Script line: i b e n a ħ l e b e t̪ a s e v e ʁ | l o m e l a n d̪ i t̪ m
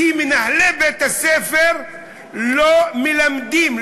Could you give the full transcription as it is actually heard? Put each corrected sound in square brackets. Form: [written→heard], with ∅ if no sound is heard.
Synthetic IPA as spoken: i [b→m] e n a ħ l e b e t̪ a s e [v→f] e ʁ | l o m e l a [n→m] d̪ i [t̪→∅] m